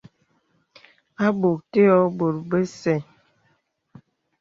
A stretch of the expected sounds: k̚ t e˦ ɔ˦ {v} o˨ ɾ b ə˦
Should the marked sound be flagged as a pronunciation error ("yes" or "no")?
yes